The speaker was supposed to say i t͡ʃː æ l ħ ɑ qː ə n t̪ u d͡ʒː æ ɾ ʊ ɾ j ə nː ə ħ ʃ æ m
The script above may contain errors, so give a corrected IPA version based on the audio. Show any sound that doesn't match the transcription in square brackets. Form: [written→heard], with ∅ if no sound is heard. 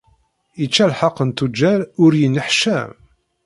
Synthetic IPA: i t͡ʃː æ l ħ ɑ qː ə n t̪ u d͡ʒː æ ɾ ʊ ɾ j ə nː ə ħ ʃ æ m